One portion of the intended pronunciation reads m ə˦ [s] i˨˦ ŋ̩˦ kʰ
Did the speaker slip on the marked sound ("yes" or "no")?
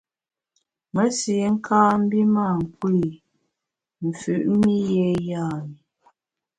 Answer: no